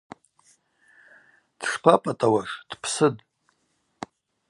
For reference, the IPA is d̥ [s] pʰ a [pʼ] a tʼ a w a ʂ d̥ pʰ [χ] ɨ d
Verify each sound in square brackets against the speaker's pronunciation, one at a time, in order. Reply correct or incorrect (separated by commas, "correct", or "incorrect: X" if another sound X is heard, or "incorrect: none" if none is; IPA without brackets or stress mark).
incorrect: ʂ, correct, incorrect: s